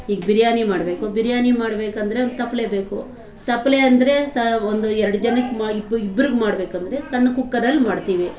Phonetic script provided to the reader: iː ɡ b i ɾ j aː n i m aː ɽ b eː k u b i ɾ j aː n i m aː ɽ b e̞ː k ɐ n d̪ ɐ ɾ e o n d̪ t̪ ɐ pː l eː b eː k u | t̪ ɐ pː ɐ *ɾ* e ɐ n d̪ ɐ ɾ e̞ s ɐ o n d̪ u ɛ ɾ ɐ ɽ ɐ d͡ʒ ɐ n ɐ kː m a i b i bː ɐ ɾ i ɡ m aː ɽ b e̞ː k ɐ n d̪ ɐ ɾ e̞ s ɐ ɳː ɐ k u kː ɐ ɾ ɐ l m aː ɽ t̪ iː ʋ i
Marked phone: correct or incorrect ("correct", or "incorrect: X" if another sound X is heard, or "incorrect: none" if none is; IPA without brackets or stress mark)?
incorrect: l